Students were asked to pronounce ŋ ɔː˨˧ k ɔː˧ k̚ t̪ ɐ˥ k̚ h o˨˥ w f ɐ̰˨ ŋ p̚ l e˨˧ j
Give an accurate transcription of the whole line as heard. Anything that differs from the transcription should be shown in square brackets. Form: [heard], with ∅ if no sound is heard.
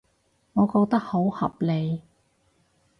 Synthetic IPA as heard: ŋ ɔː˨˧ k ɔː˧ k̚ t̪ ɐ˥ k̚ h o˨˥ w [h] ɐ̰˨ [∅] p̚ l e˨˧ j

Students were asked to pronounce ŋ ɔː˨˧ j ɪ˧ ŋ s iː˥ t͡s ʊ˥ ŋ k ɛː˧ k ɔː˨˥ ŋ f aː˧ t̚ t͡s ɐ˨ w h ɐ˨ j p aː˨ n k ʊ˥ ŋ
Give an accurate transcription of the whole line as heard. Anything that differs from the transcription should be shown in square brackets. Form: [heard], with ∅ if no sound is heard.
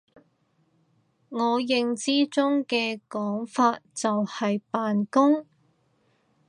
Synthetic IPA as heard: ŋ ɔː˨˧ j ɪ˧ ŋ [t͡s] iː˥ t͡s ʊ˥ ŋ k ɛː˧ k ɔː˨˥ ŋ f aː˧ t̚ t͡s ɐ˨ w h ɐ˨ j p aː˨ n k ʊ˥ ŋ

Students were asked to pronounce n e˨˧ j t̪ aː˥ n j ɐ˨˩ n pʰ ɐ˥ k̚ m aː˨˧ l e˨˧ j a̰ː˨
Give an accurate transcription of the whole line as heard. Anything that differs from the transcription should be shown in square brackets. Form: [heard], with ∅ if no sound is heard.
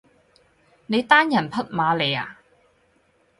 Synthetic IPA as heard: n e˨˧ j t̪ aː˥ n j ɐ˨˩ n pʰ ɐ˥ [t̚] m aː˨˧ l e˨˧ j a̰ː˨

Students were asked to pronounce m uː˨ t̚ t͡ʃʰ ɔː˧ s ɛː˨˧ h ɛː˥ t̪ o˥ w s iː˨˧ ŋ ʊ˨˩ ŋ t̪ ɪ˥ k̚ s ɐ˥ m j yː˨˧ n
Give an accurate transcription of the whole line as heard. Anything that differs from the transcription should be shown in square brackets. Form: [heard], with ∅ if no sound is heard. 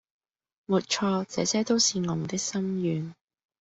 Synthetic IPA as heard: m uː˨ t̚ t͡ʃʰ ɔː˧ [t͡s] ɛː˨˧ [s] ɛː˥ t̪ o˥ w s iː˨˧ ŋ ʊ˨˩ ŋ t̪ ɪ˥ k̚ s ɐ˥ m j yː˨˧ n

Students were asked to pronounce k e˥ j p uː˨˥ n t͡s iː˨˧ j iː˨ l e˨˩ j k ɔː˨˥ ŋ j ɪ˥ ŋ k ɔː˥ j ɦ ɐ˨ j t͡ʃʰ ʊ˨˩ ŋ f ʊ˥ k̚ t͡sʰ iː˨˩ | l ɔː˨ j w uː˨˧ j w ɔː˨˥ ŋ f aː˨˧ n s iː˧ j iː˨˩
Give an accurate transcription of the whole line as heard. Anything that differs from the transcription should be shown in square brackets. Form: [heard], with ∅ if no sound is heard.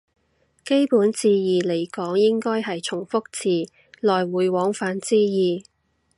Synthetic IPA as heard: k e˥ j p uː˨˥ n t͡s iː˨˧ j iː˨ l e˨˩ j k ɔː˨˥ ŋ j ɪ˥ ŋ k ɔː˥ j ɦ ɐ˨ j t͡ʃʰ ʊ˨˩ ŋ f ʊ˥ k̚ t͡sʰ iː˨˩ | l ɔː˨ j w uː˨˧ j w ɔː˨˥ ŋ f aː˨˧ n [t͡s] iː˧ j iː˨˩

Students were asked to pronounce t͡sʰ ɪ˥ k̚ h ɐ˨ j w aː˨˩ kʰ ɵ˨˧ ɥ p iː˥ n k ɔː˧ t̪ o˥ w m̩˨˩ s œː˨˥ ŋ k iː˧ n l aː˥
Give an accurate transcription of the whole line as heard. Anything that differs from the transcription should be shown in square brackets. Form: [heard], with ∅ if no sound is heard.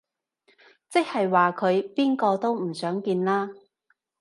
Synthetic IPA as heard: [t͡s] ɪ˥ k̚ h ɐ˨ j w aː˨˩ kʰ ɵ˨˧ ɥ p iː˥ n k ɔː˧ t̪ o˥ w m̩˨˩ s œː˨˥ ŋ k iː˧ n l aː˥

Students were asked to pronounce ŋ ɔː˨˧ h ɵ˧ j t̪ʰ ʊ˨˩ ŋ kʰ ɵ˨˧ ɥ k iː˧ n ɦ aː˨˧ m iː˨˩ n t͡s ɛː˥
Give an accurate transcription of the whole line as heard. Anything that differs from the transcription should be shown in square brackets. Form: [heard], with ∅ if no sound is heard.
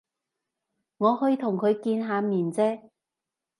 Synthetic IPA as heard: ŋ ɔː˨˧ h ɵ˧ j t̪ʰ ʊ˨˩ ŋ kʰ ɵ˨˧ ɥ k iː˧ n ɦ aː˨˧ m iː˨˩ n t͡s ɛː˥

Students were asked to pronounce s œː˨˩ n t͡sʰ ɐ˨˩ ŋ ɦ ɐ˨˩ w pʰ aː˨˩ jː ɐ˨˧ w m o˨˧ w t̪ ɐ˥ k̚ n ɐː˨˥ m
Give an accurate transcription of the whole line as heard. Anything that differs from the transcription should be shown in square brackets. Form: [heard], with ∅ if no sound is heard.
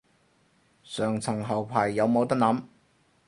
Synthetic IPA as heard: s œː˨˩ [ŋ] t͡sʰ ɐ˨˩ ŋ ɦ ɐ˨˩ w pʰ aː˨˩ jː ɐ˨˧ w m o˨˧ w t̪ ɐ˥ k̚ n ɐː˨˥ m

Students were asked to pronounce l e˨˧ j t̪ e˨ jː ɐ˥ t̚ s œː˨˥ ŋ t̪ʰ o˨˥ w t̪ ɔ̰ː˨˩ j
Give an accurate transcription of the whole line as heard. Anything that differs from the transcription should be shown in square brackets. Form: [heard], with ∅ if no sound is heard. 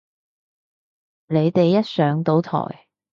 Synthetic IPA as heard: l e˨˧ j t̪ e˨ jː ɐ˥ t̚ s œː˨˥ ŋ [t̪] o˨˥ w [t̪ʰ] ɔ̰ː˨˩ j

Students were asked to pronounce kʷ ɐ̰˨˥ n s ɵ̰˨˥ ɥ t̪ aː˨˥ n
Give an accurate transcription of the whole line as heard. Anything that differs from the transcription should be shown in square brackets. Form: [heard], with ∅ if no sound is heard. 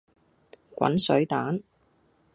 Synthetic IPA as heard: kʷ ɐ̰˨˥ n s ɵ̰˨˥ ɥ t̪ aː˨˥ n

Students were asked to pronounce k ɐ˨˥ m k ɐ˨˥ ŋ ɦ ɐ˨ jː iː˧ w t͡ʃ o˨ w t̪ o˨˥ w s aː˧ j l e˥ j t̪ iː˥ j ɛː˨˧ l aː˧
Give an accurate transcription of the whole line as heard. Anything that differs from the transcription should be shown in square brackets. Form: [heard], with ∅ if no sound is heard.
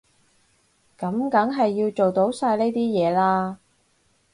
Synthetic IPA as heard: k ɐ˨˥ m k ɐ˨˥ ŋ ɦ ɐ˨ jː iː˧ w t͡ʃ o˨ w t̪ o˨˥ w s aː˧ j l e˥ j t̪ iː˥ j ɛː˨˧ l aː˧

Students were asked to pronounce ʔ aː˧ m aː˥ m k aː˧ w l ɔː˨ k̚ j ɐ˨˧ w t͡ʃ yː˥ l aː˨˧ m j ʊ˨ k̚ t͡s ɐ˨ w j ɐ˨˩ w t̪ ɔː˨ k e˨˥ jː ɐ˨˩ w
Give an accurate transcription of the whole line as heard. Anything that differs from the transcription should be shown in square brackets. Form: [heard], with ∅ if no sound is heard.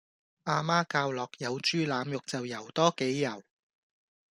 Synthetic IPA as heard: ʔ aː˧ m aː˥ [∅] k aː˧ w l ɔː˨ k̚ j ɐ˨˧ w t͡ʃ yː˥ l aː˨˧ m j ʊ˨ k̚ t͡s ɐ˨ w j ɐ˨˩ w t̪ [ɔː˥] k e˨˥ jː ɐ˨˩ w

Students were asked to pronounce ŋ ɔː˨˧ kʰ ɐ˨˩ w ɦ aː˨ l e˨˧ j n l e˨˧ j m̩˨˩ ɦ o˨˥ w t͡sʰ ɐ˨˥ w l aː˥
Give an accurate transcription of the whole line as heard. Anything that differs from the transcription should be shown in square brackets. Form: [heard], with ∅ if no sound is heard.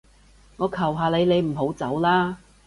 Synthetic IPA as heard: ŋ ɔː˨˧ kʰ ɐ˨˩ w ɦ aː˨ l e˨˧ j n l e˨˧ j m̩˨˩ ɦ o˨˥ w [t͡s] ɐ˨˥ w l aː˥

